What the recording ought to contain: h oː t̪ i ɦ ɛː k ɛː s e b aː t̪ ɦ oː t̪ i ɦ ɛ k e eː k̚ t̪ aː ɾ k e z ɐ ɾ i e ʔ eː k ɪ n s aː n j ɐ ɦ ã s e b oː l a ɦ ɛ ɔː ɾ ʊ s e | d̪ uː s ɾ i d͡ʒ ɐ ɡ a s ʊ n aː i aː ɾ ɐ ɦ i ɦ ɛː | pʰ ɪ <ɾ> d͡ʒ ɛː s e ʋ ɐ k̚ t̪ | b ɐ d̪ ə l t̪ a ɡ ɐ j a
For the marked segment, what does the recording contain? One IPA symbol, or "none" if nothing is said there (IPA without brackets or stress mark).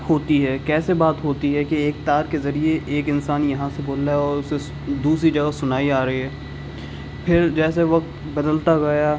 ɾ